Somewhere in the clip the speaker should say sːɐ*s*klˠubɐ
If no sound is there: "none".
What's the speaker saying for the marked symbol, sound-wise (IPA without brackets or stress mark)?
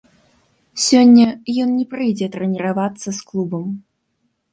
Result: s